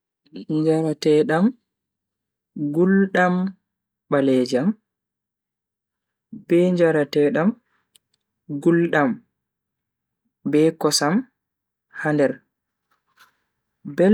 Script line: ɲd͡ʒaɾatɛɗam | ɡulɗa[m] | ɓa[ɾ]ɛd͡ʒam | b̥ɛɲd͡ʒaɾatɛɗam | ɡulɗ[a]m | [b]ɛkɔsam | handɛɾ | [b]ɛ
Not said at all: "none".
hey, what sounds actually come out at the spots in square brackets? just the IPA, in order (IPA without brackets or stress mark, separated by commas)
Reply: m, l, a, b, b